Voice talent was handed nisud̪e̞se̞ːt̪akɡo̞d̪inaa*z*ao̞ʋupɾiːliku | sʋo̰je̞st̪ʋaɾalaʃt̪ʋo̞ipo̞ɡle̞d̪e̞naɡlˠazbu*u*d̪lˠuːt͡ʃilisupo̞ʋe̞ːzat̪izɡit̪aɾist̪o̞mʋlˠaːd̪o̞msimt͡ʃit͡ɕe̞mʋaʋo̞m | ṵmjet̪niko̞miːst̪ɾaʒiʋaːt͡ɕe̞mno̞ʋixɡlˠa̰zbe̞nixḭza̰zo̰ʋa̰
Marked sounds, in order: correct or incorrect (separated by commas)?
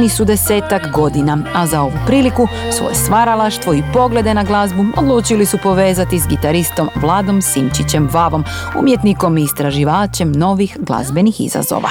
correct, incorrect